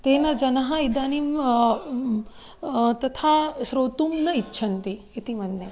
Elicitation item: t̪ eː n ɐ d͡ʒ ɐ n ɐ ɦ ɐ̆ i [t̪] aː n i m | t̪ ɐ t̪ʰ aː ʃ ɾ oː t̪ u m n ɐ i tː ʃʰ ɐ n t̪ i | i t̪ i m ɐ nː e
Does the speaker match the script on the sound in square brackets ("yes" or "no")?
no